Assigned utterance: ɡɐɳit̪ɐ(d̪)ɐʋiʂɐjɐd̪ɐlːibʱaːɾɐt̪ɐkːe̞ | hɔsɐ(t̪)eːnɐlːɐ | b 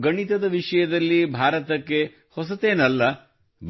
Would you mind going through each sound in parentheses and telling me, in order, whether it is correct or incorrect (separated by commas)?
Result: correct, correct